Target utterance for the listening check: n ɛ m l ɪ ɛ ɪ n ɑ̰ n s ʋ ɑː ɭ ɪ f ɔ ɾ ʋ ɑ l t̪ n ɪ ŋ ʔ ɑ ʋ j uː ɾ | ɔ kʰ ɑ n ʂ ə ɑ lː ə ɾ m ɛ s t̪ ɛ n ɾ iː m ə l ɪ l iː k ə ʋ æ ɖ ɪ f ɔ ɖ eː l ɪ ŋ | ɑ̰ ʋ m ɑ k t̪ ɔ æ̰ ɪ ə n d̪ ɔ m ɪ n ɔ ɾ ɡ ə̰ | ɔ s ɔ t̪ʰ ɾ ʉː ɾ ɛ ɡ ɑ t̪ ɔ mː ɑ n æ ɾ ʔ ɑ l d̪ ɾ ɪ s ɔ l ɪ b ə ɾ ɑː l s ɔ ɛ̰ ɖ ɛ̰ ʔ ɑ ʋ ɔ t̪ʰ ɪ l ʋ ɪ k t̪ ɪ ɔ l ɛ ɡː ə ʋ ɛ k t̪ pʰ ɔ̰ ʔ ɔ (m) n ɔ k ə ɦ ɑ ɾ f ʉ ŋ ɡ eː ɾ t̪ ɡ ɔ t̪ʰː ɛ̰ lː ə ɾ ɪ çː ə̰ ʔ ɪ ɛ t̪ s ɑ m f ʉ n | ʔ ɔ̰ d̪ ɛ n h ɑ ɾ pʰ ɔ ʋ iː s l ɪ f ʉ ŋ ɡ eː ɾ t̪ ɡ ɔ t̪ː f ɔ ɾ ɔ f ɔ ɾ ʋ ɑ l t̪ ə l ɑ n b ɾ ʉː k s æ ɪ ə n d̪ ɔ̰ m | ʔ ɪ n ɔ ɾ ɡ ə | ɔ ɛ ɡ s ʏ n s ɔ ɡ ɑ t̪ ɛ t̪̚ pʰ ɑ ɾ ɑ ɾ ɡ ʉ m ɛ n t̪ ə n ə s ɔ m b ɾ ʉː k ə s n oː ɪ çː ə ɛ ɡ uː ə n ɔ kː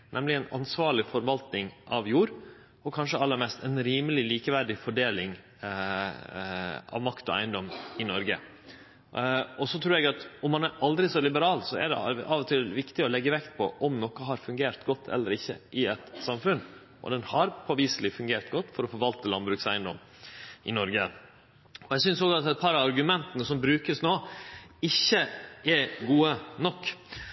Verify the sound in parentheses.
correct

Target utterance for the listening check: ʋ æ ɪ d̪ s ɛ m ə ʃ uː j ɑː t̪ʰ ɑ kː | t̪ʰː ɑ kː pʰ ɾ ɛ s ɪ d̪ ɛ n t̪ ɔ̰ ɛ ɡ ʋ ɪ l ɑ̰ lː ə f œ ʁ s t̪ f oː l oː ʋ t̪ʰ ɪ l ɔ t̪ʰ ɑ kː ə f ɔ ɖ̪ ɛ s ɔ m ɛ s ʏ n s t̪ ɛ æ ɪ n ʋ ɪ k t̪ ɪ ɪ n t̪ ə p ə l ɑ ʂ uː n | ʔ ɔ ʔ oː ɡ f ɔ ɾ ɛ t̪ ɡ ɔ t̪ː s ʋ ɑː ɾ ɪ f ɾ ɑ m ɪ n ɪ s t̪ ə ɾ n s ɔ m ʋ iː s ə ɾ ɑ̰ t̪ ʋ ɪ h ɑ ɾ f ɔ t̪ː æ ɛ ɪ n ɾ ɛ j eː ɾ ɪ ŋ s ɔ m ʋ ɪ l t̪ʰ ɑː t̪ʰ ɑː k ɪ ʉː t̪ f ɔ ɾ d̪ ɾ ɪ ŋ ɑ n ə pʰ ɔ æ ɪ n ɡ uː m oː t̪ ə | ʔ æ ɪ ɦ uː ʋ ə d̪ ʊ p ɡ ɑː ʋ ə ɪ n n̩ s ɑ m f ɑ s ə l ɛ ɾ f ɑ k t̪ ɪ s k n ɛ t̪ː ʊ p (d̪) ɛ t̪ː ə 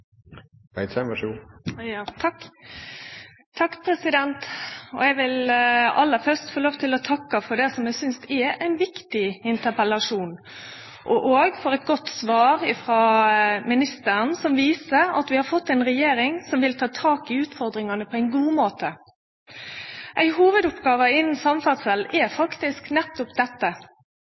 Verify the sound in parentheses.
correct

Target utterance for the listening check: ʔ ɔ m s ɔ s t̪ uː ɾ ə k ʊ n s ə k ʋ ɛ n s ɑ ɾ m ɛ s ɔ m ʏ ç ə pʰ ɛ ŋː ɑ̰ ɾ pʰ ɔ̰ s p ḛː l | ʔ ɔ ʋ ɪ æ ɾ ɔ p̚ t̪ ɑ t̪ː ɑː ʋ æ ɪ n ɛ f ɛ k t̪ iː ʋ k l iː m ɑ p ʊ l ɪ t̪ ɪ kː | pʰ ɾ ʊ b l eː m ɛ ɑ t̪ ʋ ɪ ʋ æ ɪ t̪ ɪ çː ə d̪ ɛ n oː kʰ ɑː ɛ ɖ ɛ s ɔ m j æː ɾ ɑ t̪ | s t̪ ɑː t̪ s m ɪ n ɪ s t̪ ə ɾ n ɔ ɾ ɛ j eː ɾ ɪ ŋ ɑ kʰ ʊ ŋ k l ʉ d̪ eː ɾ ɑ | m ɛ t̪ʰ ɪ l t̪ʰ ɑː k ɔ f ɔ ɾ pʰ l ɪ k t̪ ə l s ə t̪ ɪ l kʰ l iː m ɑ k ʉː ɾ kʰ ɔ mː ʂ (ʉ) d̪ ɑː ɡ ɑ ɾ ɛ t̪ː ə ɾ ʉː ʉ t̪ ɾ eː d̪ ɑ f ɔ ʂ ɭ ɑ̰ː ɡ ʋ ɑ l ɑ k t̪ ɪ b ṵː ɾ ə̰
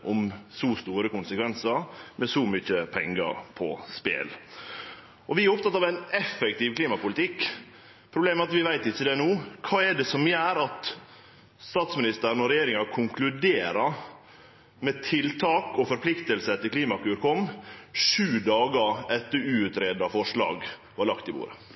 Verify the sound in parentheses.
incorrect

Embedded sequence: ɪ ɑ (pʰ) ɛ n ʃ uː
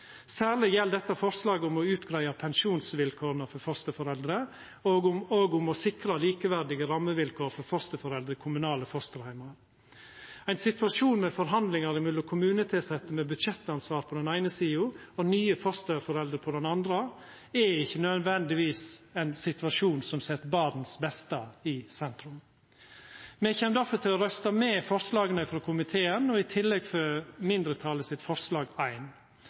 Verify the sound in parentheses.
correct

